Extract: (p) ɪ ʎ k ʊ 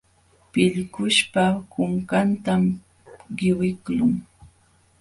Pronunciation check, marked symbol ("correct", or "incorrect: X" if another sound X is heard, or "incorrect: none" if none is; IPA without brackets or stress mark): correct